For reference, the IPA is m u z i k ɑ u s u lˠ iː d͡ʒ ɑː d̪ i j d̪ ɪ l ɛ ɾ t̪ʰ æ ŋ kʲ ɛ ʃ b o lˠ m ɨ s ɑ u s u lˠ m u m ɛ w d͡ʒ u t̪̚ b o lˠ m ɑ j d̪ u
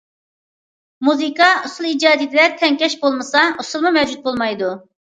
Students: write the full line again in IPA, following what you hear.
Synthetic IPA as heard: m u z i k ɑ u s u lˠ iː d͡ʒ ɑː d̪ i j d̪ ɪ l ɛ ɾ t̪ʰ ɛ ŋ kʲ ɛ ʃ b o lˠ m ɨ s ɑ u s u lˠ m u m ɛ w d͡ʒ u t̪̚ b o lˠ m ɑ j d̪ u